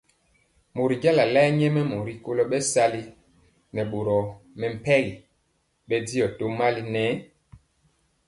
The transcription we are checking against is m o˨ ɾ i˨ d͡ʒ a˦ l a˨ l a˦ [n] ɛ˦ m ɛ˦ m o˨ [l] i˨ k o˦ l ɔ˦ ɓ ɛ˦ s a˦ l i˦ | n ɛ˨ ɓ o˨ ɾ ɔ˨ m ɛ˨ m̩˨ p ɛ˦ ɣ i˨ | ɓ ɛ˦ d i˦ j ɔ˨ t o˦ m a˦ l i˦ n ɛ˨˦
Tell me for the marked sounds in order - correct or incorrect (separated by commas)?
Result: incorrect, incorrect